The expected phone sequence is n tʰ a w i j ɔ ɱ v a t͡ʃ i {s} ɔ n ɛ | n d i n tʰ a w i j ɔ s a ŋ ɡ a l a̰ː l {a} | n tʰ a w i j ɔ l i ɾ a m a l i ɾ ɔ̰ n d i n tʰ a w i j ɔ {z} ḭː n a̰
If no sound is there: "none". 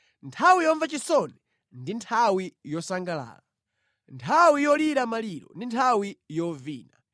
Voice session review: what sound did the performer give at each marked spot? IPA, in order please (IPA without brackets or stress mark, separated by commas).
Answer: s, a, v